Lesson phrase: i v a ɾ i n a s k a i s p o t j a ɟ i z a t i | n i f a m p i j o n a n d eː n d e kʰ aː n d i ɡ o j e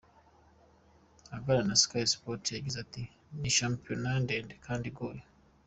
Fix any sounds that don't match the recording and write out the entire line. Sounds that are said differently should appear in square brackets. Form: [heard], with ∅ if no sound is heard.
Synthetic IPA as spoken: [a] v a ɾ [a] n a s k a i s p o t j a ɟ i z a t i | n i [ʃ] a m p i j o n a n d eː n d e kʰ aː n d i ɡ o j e